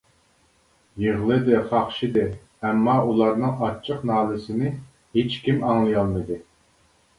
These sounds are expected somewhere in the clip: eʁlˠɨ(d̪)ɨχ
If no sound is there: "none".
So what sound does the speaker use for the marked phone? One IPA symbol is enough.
d̪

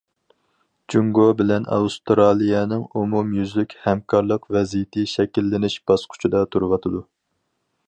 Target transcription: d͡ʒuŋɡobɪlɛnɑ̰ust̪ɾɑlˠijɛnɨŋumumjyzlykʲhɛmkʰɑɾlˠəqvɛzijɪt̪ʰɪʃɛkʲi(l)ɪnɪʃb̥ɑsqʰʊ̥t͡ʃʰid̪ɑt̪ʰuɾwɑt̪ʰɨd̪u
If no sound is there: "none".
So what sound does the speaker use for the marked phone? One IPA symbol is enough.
lː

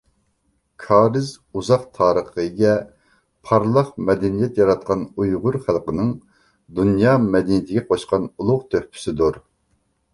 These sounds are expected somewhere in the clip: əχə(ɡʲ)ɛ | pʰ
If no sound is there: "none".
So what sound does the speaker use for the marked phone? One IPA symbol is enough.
ɡʲ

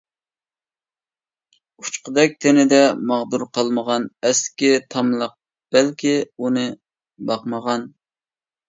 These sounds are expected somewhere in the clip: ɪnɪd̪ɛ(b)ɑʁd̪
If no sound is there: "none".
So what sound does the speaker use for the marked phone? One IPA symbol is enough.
m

